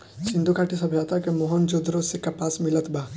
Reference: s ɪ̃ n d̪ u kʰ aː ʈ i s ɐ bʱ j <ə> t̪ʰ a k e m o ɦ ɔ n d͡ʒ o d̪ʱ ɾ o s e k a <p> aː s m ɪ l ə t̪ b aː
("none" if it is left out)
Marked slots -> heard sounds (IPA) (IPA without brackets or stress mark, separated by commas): a, p